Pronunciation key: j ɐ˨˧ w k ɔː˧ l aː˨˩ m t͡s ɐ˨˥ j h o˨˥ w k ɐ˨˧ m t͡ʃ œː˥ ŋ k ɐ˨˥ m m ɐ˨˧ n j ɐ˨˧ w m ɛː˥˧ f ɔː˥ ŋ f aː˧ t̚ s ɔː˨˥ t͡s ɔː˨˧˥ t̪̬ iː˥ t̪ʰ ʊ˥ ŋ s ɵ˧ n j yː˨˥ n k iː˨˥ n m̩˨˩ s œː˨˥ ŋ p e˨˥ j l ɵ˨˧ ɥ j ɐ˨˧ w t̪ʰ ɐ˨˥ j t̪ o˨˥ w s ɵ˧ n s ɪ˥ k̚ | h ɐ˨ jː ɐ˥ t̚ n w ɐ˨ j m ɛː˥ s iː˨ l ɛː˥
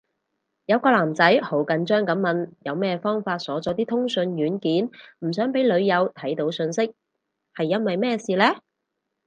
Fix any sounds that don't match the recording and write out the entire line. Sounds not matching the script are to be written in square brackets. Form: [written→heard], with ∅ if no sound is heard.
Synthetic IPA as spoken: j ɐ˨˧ w k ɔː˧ l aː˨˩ m t͡s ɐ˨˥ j h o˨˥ w k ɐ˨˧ [m→n] t͡ʃ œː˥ ŋ k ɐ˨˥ m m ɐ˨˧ n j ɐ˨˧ w m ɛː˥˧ f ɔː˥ ŋ f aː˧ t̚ s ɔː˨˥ t͡s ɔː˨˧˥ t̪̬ iː˥ t̪ʰ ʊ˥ ŋ s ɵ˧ n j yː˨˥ n k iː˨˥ n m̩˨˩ s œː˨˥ ŋ p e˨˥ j l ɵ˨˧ ɥ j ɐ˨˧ w t̪ʰ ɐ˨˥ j t̪ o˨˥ w s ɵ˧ n s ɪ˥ k̚ | h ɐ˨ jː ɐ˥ [t̚→∅] n w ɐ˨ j m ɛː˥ s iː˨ l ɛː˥